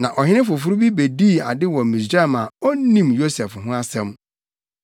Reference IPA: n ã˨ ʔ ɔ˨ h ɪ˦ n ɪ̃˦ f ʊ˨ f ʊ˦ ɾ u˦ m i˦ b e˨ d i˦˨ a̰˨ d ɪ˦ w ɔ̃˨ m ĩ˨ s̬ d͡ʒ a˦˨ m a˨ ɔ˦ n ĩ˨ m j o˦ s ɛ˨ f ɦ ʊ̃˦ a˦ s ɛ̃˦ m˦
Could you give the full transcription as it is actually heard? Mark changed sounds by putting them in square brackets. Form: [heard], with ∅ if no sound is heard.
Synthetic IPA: n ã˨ ʔ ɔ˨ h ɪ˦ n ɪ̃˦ f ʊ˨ f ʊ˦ ɾ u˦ [b] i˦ b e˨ d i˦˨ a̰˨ d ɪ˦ w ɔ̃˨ m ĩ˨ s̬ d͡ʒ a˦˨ m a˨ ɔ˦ n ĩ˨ m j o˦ s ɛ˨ f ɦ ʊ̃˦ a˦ s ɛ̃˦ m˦